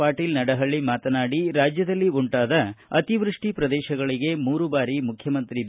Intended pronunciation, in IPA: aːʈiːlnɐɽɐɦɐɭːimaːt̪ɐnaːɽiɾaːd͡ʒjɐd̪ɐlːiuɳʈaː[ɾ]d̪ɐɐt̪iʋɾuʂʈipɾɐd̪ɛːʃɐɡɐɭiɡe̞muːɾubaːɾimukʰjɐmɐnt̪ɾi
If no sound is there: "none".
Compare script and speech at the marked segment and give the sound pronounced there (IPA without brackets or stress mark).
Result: none